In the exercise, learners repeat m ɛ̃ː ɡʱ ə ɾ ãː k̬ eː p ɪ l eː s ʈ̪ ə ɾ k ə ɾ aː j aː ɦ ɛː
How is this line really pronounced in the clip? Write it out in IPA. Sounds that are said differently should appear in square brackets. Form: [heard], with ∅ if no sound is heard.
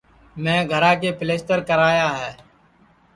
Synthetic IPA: m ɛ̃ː ɡʱ ə ɾ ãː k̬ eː p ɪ l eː s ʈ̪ ə ɾ k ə ɾ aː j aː ɦ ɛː